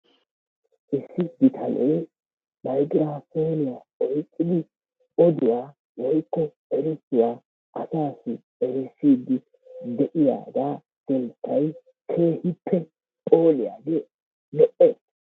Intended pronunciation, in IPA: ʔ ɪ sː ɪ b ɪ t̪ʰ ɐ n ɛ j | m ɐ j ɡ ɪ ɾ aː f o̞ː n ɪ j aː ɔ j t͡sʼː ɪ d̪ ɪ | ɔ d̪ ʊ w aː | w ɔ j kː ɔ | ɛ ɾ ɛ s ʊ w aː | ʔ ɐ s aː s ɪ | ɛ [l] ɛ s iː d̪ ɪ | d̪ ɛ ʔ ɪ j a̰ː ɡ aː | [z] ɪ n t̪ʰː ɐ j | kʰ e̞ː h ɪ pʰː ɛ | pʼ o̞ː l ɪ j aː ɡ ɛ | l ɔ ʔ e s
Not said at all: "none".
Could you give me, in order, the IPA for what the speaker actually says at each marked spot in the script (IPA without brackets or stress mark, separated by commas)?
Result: ɾ, s